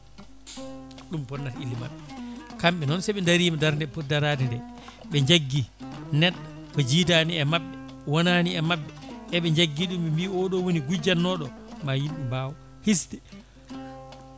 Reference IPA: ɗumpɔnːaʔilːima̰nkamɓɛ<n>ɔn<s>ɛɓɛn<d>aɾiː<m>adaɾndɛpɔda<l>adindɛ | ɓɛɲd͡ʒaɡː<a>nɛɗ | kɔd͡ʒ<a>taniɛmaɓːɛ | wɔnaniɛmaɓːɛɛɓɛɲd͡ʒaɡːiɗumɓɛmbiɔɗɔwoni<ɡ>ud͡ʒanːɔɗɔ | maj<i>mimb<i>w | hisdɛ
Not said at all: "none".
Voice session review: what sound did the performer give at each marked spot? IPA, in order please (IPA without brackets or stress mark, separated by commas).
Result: n, s, d, m, ɾ, i, i, ɡ, i, a